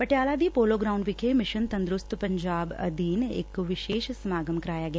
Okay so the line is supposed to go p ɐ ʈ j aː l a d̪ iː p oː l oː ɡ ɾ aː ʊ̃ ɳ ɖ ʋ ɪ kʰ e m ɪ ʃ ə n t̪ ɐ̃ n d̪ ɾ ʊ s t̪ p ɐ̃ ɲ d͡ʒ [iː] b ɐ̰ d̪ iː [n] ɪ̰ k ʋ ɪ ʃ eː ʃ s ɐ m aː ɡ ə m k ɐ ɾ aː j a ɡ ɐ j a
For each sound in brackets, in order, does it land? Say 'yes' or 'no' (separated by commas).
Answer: no, yes